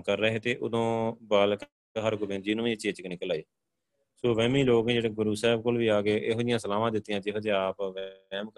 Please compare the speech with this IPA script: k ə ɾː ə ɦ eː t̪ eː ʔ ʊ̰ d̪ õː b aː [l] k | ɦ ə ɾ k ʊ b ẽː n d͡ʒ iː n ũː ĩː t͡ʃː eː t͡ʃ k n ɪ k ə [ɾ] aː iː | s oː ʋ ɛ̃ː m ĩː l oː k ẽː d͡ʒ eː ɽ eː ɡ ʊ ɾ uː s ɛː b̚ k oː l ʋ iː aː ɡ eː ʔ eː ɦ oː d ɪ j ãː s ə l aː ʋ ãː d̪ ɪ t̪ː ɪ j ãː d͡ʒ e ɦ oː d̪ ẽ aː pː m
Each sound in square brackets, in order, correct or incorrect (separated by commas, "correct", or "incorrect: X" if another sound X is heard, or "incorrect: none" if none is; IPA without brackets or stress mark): correct, incorrect: l